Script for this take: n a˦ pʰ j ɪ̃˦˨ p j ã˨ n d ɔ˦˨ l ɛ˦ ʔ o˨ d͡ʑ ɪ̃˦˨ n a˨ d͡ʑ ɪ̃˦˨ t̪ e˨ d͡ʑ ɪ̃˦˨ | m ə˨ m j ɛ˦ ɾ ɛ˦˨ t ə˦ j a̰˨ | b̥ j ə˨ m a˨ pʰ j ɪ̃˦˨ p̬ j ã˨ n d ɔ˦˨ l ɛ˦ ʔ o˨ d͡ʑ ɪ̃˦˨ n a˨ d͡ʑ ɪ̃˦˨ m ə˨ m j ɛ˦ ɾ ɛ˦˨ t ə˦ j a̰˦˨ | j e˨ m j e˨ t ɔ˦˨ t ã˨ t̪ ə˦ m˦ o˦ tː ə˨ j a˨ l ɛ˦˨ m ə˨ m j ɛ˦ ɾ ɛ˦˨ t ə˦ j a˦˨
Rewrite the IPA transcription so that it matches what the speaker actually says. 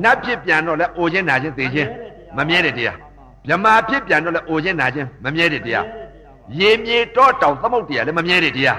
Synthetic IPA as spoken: n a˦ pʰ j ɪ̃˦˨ p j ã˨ n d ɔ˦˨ l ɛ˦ ʔ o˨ d͡ʑ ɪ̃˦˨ n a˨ d͡ʑ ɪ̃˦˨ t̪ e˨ d͡ʑ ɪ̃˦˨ | m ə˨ m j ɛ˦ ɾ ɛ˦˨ t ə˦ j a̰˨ | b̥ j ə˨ m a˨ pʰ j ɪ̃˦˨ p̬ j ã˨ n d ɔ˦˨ l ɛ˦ ʔ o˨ d͡ʑ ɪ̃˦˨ n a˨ d͡ʑ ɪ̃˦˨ m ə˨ m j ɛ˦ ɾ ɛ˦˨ t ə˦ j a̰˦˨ | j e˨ m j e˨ t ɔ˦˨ t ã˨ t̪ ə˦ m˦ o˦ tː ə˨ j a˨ l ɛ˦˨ m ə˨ m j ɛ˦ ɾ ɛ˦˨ t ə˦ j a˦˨